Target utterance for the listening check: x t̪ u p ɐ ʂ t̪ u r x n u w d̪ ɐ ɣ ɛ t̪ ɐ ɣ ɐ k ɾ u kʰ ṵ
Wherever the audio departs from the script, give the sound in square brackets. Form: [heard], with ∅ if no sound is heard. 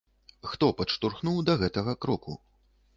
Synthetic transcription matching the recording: x t̪ [ɔ] p ɐ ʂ t̪ u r x n u w d̪ ɐ ɣ ɛ t̪ ɐ ɣ ɐ k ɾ [ɔ] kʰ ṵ